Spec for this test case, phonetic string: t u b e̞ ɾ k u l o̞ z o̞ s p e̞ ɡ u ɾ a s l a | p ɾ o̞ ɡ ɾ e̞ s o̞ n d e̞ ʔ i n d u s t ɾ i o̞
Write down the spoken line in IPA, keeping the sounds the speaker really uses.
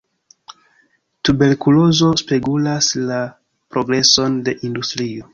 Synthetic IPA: t u b e̞ ɾ k u l o̞ z o̞ s p e̞ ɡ u l a s l a | p ɾ o̞ ɡ ɾ e̞ s o̞ n d e̞ ʔ i n d u s t ɾ i o̞

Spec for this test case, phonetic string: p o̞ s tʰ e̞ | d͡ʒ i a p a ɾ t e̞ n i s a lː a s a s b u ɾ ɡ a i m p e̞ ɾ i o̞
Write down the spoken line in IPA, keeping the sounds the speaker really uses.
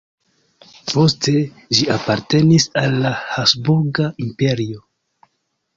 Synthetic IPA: p o̞ s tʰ e̞ | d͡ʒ i a p a ɾ t e̞ n i s a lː a h a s b u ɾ ɡ a i m p e̞ ɾ i o̞

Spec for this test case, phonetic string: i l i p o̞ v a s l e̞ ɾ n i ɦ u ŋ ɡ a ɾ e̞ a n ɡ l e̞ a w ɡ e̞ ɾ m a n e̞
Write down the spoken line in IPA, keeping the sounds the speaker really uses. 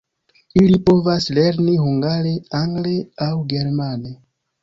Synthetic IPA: i l i p o̞ v a s l e̞ ɾ n i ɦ u ŋ ɡ a ɾ e̞ a ŋ ɡ l e̞ a w ɡ e̞ ɾ m a n e̞

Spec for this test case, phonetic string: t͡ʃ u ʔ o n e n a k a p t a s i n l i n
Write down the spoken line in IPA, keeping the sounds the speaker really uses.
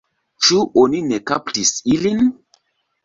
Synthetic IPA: t͡ʃ u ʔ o n i n e k a p t i s i l i n

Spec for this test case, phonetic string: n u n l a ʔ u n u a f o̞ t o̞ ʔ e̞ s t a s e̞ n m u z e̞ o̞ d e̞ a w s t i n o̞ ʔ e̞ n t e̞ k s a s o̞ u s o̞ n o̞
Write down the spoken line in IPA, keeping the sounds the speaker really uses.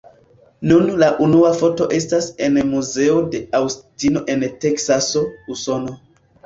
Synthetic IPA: n u n l a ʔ u n u a f o̞ t o̞ ʔ e̞ s t a s e̞ n m u z e̞ o̞ d e̞ a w s t i n o̞ ʔ e̞ n t e̞ k s a s o̞ u s o̞ n o̞

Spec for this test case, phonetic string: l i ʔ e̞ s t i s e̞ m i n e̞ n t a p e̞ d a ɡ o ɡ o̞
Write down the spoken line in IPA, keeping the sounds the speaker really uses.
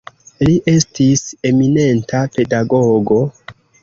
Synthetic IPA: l i ʔ e̞ s t i s e̞ m i n e̞ n t a p e̞ d a ɡ o ɡ o̞

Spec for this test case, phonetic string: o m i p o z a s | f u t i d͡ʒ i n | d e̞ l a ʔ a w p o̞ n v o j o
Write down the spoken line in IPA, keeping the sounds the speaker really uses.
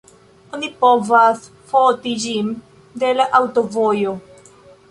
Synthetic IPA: o n i p o v a s | f o t i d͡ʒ i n | d e̞ l a ʔ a w t o̞ v o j o

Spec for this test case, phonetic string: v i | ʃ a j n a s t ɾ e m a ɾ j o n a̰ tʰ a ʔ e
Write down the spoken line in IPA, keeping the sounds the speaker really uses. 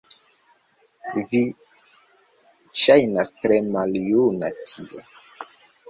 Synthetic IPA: v i | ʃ a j n a s t ɾ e m a l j u n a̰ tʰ i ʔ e

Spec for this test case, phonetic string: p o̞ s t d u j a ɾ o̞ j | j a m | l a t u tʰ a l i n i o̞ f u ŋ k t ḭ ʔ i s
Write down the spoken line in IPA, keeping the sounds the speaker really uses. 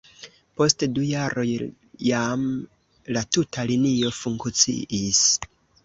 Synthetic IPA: p o̞ s t d u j a ɾ o̞ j | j a m | l a t u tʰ a l i n i o̞ f u ŋ k t͡s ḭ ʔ i s

